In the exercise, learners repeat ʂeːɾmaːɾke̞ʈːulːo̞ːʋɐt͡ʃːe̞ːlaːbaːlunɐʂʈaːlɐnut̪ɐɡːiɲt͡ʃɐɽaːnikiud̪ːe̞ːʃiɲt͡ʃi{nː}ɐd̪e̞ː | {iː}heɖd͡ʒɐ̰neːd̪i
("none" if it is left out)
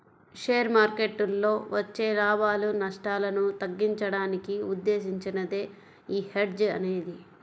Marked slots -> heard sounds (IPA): n, iː

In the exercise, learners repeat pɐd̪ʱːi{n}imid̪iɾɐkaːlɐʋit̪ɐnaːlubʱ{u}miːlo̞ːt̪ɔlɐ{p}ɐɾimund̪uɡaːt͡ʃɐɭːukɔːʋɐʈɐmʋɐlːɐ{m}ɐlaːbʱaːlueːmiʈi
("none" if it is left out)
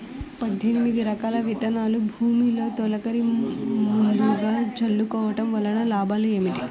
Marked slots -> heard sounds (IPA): n, uː, k, n

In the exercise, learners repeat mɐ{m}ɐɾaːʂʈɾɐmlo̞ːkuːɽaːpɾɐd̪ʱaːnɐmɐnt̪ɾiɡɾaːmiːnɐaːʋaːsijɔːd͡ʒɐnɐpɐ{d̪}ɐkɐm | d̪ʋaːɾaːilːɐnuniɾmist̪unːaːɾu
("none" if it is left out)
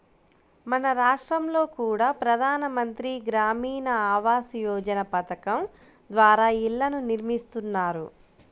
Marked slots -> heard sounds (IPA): n, t̪

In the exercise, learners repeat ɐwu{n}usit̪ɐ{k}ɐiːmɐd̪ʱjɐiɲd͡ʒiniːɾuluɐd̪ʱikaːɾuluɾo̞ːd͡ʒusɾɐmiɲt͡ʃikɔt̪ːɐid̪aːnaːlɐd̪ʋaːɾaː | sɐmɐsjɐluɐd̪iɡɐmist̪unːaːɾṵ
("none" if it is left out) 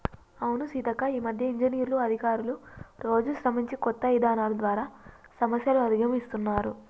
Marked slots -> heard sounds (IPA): n, k

